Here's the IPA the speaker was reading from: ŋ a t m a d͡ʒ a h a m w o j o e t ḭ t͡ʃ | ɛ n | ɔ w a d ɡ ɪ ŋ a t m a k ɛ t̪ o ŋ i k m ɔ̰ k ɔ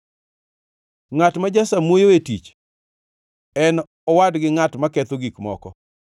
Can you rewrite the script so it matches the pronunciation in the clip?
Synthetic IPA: ŋ a t m a d͡ʒ a s a m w o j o e t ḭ t͡ʃ | ɛ n | ɔ w a d ɡ ɪ ŋ a t m a k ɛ t̪ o ɡ i k m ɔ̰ k ɔ